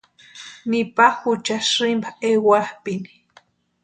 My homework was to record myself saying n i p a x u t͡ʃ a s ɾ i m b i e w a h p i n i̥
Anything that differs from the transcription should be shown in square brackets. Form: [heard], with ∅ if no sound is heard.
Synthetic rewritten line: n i p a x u t͡ʃ a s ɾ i m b [a] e w a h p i n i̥